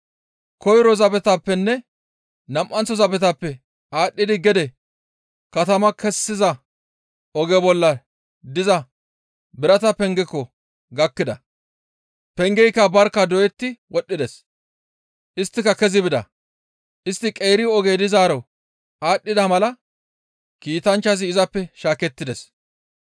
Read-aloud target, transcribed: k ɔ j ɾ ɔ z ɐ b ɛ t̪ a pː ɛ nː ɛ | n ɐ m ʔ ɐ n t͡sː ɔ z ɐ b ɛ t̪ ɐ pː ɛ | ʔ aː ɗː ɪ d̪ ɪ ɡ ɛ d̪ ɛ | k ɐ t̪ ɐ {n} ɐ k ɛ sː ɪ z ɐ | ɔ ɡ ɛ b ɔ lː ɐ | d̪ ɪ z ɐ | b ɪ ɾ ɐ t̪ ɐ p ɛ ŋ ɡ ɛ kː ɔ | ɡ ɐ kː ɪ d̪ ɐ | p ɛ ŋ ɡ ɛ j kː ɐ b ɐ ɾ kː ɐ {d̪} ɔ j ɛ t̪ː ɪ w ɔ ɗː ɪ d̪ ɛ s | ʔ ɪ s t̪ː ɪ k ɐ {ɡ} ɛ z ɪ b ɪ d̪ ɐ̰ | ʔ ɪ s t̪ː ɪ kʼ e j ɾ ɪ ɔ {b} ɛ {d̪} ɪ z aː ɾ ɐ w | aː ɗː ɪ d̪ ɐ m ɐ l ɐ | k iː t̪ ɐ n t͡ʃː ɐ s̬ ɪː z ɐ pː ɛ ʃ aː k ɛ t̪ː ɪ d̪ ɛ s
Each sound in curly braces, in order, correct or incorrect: incorrect: m, correct, incorrect: k, incorrect: ɡ, correct

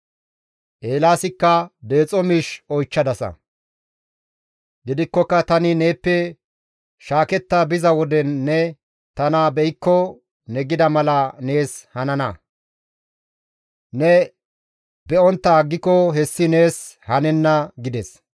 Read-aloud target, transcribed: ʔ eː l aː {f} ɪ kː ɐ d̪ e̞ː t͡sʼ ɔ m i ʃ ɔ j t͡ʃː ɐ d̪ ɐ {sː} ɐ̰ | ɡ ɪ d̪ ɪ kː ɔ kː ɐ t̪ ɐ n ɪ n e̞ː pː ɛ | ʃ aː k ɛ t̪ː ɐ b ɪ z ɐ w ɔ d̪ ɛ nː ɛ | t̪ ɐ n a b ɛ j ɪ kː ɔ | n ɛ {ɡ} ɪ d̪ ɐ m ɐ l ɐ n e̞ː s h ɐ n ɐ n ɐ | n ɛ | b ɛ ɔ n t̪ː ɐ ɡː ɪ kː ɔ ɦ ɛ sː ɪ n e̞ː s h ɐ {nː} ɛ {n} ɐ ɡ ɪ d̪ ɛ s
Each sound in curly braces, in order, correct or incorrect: incorrect: s, incorrect: s, correct, incorrect: n, incorrect: nː

